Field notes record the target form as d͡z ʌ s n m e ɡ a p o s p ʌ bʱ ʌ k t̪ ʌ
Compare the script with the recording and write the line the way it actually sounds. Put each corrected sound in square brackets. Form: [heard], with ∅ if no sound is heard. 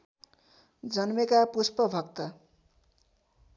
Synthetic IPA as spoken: d͡z ʌ [∅] n m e [k] a p [u] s p ʌ bʱ ʌ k t̪ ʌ

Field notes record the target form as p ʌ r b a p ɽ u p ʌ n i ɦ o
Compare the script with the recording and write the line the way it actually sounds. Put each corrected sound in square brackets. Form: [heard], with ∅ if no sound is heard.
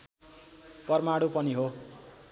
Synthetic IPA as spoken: p ʌ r [m] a [∅] ɽ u p ʌ n i ɦ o

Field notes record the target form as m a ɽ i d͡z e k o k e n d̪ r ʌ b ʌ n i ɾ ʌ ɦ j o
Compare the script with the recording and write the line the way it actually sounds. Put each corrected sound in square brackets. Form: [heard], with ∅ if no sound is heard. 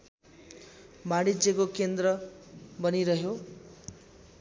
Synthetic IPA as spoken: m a ɽ i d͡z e k o k e n d̪ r ʌ b ʌ n i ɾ ʌ ɦ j o

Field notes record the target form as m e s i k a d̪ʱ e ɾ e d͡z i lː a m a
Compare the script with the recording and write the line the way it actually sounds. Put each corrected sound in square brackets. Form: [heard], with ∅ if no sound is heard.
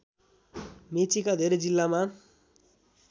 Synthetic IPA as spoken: m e [t͡s] i k a d̪ʱ e ɾ e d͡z i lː a m a

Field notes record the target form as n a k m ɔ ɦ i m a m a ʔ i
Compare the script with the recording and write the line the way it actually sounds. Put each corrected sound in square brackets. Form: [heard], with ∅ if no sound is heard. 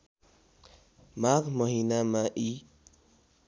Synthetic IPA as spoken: [m] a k m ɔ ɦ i [n] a m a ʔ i

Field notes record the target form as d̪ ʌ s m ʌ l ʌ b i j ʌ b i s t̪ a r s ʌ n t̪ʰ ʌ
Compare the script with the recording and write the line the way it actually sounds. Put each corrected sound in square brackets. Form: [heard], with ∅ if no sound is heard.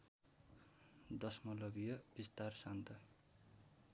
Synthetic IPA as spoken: d̪ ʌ s m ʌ l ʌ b i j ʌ b i s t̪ a r s [a] n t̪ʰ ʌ

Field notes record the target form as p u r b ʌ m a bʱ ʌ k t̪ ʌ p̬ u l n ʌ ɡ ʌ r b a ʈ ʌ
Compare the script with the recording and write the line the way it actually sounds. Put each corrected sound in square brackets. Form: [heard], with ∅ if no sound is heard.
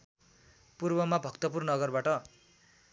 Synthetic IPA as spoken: p u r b ʌ m a bʱ ʌ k t̪ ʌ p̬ u [r] n ʌ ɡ ʌ r b a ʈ ʌ

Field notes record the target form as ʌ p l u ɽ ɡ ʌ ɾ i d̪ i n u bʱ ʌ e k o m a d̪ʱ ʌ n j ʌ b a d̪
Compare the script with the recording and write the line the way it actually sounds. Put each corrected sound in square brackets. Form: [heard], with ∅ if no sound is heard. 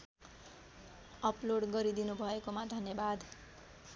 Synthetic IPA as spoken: ʌ p l [o] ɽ ɡ ʌ ɾ i d̪ i n u bʱ ʌ e k o m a d̪ʱ ʌ n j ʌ b a d̪

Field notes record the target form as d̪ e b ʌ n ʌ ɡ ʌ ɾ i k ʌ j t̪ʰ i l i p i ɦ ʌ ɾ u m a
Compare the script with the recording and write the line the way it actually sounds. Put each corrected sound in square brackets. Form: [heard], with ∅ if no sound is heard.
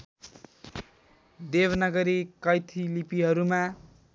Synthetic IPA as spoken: d̪ e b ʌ n ʌ ɡ ʌ ɾ i k ʌ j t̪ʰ i l i p i ɦ ʌ ɾ u m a

